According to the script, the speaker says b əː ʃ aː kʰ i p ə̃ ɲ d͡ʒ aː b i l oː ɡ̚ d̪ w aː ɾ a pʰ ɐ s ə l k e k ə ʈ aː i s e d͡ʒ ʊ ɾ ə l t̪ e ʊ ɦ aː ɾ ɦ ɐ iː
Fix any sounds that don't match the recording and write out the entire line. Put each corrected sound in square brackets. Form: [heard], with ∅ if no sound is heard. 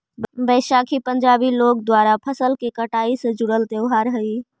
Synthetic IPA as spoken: b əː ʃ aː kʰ i p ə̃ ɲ d͡ʒ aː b i l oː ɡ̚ d̪ w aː ɾ a pʰ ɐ s ə l k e k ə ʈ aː i s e d͡ʒ ʊ [ɽ] ə l t̪ e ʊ ɦ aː ɾ ɦ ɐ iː